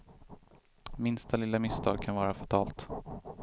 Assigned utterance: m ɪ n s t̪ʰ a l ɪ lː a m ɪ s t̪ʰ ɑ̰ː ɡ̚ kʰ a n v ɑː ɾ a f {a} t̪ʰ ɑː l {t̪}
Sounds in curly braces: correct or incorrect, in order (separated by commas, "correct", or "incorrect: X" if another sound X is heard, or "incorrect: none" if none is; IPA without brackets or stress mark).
correct, correct